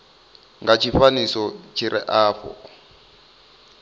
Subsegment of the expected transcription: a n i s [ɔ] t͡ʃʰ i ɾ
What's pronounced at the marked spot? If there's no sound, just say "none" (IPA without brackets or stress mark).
ɔ